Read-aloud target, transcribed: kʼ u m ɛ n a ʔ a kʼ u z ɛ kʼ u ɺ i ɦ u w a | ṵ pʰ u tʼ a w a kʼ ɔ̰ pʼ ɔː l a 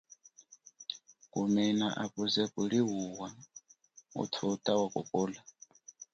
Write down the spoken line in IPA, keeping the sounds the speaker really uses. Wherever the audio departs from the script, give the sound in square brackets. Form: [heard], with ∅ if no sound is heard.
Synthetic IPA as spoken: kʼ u m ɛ n a ʔ a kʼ u z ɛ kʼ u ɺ i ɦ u w a | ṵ [tʰ] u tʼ a w a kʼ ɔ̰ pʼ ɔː l a